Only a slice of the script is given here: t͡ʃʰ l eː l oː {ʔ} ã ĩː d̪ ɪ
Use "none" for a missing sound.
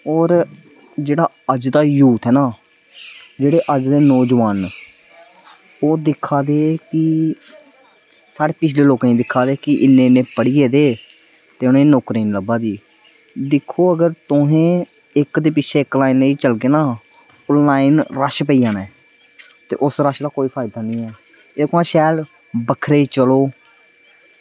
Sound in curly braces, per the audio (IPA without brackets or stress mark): k